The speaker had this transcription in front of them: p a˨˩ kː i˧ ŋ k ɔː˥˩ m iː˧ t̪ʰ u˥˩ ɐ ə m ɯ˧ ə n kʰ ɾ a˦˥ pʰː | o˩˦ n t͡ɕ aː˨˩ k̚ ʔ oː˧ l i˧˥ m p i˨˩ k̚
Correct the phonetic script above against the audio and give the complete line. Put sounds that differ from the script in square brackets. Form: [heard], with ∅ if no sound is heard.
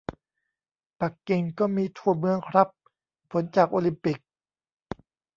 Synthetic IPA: p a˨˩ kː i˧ ŋ k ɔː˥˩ m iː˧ t̪ʰ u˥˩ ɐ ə m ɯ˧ ə [ŋ] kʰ ɾ a˦˥ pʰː | o˩˦ n t͡ɕ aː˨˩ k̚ ʔ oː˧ l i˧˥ m p i˨˩ k̚